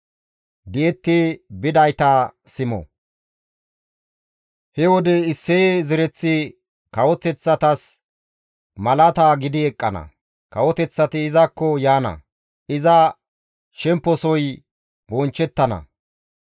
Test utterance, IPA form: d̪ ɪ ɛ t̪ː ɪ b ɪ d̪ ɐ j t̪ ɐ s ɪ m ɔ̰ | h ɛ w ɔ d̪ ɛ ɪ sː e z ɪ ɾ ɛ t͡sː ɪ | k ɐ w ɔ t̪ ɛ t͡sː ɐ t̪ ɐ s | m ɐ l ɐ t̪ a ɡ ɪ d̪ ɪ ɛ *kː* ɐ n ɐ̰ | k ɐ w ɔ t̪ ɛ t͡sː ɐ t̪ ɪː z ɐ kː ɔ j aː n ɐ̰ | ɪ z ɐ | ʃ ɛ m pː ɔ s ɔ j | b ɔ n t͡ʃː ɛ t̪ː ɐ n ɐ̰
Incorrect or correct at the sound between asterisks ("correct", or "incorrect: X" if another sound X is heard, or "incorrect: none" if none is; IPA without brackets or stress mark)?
incorrect: kʼː